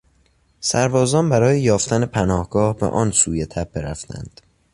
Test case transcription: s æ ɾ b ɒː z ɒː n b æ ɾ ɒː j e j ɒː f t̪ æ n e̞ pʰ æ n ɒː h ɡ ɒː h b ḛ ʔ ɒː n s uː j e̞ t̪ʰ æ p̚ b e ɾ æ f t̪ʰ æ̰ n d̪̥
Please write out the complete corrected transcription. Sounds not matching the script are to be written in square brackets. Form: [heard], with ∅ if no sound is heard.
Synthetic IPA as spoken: s æ ɾ b ɒː z ɒː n b æ ɾ ɒː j e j ɒː f t̪ æ n e̞ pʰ æ n ɒː h ɡ ɒː h b ḛ ʔ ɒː n s uː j e̞ t̪ʰ æ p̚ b e ɾ æ f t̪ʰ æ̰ n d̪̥

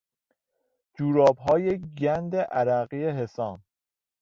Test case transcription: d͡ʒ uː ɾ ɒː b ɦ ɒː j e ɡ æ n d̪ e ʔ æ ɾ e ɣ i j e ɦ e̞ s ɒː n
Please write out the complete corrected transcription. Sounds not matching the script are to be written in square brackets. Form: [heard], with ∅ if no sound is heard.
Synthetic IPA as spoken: d͡ʒ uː ɾ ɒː b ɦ ɒː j e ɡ æ n d̪ e ʔ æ ɾ [æ] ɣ i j e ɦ e̞ s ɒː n

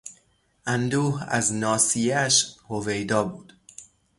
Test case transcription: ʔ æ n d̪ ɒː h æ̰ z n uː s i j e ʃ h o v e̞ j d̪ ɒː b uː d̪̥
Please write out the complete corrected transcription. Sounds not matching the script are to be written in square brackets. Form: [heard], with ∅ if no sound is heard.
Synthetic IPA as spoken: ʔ æ n d̪ [uː] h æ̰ z n [ɒː] s i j [æ] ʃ h o v e̞ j d̪ ɒː b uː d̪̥

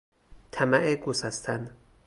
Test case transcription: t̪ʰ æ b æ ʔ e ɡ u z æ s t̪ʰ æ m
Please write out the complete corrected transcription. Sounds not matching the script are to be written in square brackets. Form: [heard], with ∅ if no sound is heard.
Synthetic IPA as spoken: t̪ʰ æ [m] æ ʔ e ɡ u [s] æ s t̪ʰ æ [n]

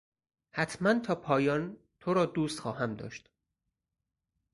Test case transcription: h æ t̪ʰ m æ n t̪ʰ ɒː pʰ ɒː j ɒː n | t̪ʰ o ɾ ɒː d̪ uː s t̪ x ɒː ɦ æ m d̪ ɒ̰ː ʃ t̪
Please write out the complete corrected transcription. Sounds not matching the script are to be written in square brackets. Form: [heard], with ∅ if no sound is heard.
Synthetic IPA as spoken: h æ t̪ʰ m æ n t̪ʰ ɒː pʰ ɒː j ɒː n | t̪ʰ o ɾ ɒː d̪ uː s t̪ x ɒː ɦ æ m d̪ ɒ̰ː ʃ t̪

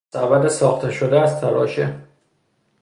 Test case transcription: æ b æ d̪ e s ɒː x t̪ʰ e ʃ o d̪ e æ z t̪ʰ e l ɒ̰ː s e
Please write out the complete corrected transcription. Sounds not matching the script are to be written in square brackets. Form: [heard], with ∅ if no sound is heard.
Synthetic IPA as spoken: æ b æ d̪ e s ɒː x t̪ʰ e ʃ o d̪ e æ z t̪ʰ [æ] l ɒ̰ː [ʃ] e

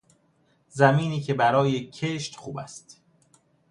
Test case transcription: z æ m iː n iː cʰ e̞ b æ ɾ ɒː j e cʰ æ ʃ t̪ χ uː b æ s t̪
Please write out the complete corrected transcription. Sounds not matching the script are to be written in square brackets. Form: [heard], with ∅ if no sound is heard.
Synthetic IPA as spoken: z æ m iː n iː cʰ e̞ b æ ɾ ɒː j e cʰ [e] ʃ t̪ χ uː b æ s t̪

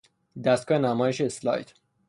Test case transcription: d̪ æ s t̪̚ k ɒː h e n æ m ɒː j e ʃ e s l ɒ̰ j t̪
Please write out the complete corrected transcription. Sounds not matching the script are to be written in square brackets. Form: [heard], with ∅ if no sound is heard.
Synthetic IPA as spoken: d̪ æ s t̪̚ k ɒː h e n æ m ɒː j e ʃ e s l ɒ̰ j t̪

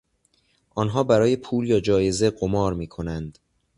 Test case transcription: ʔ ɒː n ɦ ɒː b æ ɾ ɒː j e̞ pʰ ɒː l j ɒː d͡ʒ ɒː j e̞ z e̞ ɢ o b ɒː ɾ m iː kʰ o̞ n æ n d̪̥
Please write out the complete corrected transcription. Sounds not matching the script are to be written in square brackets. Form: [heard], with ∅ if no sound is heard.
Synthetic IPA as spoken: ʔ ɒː n ɦ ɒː b æ ɾ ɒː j e̞ pʰ [uː] l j ɒː d͡ʒ ɒː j e̞ z e̞ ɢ o [m] ɒː ɾ m iː kʰ o̞ n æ n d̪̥

